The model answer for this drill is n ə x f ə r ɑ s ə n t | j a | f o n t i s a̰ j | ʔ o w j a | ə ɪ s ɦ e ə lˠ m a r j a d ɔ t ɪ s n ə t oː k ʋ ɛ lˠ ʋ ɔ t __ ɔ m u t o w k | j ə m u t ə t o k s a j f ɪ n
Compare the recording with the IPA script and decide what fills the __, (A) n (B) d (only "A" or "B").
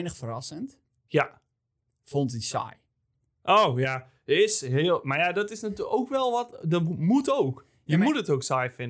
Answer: B